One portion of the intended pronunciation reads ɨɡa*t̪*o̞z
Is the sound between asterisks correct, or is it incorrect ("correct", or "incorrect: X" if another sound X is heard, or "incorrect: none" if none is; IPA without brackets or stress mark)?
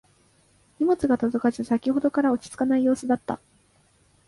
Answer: correct